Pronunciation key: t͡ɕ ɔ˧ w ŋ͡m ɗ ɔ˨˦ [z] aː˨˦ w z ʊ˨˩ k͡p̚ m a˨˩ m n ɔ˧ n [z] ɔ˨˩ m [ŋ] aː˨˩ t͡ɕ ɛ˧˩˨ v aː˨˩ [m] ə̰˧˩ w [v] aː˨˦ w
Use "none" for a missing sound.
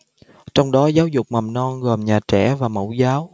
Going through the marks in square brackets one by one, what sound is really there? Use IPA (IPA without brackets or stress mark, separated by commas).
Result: z, ɣ, ɲ, m, z